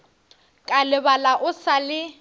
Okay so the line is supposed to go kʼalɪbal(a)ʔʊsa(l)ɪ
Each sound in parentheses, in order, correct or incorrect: correct, correct

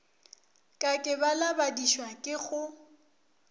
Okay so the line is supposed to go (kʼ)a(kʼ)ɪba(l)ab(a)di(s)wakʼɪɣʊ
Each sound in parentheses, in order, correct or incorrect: correct, correct, correct, correct, incorrect: ʃ

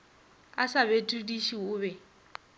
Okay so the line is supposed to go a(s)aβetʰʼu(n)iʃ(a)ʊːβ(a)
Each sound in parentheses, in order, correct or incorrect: correct, incorrect: d, incorrect: i, incorrect: ɛ

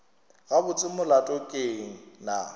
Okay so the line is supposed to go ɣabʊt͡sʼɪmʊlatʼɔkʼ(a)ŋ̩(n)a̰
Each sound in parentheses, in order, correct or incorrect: incorrect: e, correct

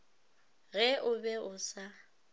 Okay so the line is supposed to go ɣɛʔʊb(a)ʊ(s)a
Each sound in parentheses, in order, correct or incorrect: incorrect: ɛ, correct

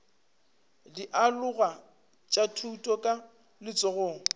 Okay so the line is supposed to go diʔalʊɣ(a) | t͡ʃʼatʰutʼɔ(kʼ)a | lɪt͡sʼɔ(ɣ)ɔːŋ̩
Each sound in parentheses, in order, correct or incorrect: correct, correct, correct

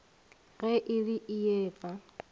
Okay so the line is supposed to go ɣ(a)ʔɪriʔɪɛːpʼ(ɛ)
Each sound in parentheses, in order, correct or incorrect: incorrect: ɛ, incorrect: a

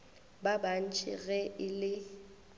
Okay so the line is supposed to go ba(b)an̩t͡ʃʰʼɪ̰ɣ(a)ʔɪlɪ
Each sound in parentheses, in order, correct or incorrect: correct, incorrect: ɛ

